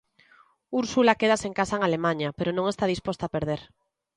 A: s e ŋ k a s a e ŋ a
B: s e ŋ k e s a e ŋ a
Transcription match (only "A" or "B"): A